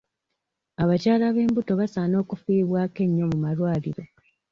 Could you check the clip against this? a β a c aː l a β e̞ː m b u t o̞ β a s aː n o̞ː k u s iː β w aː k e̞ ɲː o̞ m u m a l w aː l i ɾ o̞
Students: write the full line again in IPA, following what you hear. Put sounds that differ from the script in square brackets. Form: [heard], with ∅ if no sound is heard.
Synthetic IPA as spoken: a β a c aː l a β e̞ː m b u t o̞ β a s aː n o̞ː k u [f] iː β w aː k e̞ ɲː o̞ m u m a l w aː l i ɾ o̞